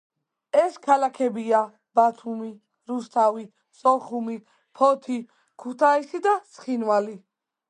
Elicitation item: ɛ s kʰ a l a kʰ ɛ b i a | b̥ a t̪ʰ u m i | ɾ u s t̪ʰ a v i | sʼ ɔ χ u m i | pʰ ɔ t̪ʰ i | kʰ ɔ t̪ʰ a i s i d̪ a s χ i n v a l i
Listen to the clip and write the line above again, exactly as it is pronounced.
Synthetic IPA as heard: ɛ s kʰ a l a kʰ ɛ b i a | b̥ a t̪ʰ u m i | ɾ u s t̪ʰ a v i | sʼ ɔ χ u m i | pʰ ɔ t̪ʰ i | kʰ u t̪ʰ a i s i d̪ a s χ i n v a l i